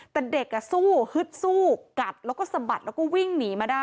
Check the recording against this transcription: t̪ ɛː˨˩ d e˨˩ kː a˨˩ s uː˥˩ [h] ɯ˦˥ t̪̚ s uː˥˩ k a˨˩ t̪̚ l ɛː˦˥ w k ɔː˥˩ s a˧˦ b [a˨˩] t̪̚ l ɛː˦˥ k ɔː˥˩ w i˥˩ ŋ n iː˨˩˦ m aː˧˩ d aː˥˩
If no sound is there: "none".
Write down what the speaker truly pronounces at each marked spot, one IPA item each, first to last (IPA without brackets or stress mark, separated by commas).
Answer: h, a˨˩